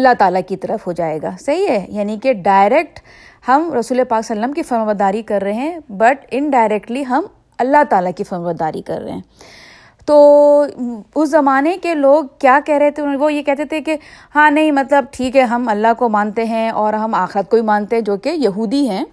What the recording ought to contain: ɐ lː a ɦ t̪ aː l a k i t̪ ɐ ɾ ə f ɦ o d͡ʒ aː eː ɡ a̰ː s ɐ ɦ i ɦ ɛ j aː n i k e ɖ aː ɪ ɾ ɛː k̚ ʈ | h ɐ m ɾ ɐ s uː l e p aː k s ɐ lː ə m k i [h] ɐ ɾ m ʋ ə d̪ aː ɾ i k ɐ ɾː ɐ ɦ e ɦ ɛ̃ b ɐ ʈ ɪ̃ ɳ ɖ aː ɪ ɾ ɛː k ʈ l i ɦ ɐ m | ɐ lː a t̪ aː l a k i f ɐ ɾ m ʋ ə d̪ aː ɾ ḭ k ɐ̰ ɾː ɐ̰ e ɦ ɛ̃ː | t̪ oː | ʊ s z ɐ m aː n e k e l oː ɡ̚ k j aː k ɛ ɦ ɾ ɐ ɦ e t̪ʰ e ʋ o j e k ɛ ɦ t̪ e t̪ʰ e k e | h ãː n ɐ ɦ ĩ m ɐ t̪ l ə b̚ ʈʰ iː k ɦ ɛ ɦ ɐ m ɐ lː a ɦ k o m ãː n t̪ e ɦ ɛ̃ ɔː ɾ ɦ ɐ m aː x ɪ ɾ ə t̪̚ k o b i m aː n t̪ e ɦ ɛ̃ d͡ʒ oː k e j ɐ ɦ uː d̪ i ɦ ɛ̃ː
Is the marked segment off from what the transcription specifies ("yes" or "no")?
yes